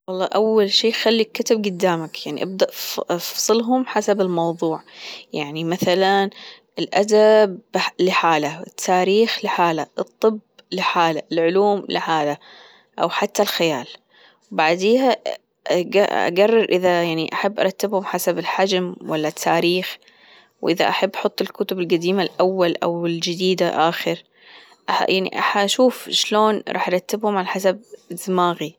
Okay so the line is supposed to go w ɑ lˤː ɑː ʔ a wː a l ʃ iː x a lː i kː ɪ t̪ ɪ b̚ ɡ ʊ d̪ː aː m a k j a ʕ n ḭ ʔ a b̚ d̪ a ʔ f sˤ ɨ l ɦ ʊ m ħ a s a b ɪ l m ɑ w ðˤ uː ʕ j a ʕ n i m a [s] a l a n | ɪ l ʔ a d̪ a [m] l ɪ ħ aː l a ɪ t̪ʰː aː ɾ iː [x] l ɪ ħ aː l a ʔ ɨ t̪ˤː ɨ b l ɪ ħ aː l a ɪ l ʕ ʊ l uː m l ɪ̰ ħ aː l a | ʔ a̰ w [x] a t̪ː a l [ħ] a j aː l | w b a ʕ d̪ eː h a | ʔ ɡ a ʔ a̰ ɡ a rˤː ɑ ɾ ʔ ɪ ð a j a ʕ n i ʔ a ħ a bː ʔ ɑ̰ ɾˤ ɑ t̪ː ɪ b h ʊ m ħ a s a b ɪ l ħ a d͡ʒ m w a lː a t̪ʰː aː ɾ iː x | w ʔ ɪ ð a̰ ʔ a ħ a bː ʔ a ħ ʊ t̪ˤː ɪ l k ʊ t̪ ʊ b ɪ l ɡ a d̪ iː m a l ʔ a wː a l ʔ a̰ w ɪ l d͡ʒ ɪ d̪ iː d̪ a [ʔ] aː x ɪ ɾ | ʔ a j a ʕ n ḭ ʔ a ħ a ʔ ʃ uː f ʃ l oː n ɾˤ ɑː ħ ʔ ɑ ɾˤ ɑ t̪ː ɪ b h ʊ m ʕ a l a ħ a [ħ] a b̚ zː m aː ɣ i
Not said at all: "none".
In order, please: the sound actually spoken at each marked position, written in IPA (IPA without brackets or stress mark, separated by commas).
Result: θ, b, x, ħ, x, ʔ, s